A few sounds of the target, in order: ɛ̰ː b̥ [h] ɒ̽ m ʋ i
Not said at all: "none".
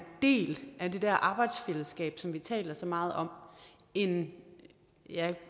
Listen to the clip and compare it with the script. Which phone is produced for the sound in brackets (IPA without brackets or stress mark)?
s